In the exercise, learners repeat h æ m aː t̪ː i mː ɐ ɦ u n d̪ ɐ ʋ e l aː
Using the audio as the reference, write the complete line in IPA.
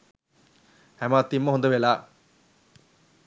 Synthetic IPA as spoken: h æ m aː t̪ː i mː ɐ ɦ o n d̪ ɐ ʋ e l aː